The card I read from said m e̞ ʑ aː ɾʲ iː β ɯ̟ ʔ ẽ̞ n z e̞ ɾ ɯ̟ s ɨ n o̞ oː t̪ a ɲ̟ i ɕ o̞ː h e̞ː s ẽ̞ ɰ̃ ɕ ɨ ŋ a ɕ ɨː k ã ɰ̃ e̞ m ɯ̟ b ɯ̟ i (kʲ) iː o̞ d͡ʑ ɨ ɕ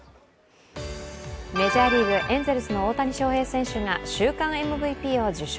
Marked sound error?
yes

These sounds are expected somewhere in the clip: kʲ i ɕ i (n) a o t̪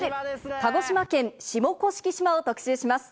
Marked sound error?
yes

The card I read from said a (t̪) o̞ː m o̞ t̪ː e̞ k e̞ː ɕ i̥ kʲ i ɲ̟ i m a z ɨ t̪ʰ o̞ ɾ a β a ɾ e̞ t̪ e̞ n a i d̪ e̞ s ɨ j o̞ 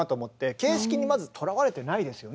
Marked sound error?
no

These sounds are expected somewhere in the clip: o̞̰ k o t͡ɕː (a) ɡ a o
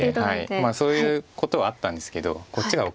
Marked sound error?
yes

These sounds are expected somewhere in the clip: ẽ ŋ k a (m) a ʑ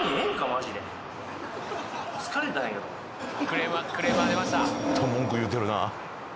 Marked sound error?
no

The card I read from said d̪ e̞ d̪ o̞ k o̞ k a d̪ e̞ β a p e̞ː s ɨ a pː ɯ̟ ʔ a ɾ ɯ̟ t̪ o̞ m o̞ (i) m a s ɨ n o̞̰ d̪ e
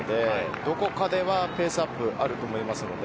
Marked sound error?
no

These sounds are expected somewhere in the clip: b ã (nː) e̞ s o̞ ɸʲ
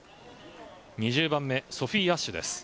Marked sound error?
yes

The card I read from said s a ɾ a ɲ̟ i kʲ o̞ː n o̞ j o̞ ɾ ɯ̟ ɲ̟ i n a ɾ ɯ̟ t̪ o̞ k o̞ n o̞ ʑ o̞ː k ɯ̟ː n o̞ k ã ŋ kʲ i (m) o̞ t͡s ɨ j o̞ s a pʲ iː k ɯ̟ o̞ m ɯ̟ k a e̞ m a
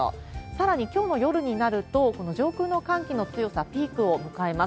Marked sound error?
yes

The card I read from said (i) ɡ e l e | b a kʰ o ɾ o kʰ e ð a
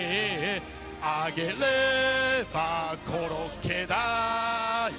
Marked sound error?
yes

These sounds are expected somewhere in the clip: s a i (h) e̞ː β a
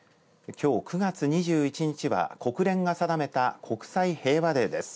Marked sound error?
no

